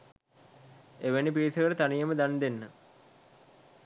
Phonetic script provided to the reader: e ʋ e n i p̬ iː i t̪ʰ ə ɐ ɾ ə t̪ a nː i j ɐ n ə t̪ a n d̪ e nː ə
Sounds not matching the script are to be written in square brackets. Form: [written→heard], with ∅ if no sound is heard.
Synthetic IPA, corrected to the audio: e ʋ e n i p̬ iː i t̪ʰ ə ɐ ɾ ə t̪ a [nː→n] i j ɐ [n→m] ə [t̪→d̪] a n d̪ e nː ə